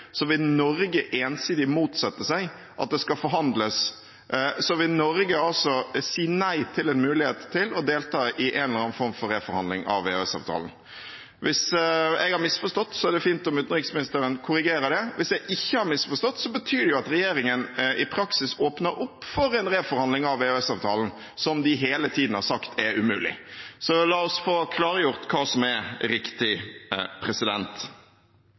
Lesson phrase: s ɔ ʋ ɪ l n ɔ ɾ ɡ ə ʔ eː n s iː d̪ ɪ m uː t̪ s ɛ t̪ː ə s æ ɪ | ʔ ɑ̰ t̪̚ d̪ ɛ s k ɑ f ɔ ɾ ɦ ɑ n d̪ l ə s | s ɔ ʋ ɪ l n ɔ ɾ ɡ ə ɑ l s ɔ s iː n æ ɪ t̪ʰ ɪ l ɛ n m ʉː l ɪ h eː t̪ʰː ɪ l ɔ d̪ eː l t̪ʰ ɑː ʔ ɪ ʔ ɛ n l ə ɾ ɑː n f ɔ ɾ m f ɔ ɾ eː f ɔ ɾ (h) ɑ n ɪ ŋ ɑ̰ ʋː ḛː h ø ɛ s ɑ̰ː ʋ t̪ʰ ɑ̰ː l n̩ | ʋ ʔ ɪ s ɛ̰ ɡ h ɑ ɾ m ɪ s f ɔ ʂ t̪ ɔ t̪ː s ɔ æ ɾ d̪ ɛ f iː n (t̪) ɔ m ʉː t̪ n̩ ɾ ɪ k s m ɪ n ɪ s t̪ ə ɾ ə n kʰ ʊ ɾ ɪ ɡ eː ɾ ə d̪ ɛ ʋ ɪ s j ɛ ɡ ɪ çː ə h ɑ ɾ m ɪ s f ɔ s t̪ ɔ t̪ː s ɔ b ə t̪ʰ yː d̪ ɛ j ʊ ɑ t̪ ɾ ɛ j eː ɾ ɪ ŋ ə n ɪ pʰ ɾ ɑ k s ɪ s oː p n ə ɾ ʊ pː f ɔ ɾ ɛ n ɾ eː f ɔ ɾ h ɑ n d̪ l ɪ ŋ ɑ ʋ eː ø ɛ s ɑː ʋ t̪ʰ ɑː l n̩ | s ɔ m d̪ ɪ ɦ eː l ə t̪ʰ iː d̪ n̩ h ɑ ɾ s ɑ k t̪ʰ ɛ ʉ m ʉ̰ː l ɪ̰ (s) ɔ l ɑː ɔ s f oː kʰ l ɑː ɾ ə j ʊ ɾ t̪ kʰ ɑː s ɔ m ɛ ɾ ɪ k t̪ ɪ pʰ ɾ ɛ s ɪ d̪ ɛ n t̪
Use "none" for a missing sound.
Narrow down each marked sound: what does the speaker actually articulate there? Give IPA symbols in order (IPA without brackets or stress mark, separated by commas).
h, t̪, s